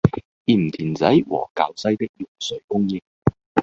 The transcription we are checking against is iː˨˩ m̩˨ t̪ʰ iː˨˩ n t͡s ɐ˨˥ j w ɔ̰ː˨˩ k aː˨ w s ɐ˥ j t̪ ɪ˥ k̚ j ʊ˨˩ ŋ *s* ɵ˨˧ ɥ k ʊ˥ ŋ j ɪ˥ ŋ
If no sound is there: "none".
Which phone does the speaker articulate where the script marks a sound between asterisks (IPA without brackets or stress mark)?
s